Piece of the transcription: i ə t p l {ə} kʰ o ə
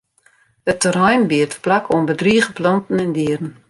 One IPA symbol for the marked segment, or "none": a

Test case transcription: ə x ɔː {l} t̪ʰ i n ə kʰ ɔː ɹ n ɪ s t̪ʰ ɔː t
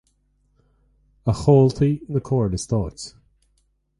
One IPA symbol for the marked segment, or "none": l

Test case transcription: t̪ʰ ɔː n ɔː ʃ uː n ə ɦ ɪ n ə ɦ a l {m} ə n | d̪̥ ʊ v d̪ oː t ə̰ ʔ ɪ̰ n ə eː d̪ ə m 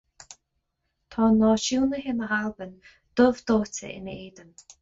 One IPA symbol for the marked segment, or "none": b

